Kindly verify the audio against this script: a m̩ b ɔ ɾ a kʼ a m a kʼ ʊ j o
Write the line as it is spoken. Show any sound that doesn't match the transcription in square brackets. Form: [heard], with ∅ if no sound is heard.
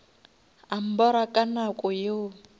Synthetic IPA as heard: a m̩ b ɔ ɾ a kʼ a [n] a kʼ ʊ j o